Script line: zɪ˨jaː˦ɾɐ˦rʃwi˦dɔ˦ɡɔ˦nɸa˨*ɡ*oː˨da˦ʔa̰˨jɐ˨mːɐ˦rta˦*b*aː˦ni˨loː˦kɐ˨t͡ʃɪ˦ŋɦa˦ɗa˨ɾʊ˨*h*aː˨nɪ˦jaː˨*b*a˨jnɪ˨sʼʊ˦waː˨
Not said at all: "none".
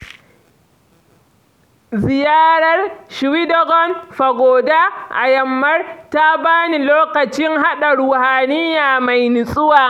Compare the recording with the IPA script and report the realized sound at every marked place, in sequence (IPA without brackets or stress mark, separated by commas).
ɡ, b, h, m